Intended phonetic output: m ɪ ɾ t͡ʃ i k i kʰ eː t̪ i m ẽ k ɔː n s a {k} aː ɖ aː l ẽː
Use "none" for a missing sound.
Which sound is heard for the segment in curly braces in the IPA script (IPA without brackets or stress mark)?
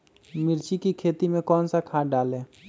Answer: kʰ